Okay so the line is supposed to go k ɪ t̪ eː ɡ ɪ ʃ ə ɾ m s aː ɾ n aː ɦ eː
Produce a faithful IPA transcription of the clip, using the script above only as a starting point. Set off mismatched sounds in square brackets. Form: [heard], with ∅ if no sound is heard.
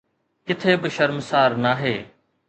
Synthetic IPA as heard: k ɪ [t̪ʰ] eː [b] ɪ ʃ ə ɾ m s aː ɾ n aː ɦ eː

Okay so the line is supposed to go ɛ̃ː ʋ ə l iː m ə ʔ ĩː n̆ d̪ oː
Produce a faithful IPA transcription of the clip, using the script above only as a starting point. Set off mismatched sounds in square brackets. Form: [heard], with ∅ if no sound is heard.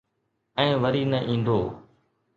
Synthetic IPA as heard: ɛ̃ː ʋ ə [ɾ] iː [n] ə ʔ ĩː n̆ d̪ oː

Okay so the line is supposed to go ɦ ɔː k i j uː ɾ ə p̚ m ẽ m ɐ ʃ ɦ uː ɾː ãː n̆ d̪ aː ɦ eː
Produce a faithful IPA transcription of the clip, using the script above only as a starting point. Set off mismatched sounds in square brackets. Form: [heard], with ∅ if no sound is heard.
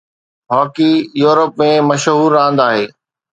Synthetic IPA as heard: ɦ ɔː k i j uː ɾ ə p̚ m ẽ m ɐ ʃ ɦ uː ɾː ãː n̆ d̪ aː ɦ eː

